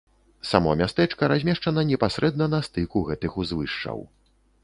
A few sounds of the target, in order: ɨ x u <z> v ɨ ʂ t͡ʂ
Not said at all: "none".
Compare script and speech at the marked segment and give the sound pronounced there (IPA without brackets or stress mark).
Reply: z